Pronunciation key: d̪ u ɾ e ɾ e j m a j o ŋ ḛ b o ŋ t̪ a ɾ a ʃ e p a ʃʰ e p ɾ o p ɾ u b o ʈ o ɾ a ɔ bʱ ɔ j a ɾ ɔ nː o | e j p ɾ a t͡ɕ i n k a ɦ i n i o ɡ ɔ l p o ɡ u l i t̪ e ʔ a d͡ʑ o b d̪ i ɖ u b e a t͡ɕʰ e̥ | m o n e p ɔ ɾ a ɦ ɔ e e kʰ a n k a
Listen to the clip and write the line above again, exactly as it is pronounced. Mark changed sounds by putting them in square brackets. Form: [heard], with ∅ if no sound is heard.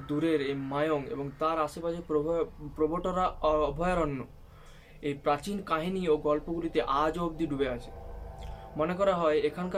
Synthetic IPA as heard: d̪ u ɾ e ɾ e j m a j o ŋ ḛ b o ŋ t̪ a ɾ a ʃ e p a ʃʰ e p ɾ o p ɾ [o] b o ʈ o ɾ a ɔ bʱ ɔ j a ɾ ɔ nː o | e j p ɾ a t͡ɕ i n k a ɦ i n i o ɡ ɔ l p o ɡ u l i t̪ e ʔ a d͡ʑ o b d̪ i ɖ u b e a t͡ɕʰ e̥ | m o n e [k] ɔ ɾ a ɦ ɔ e e kʰ a n k a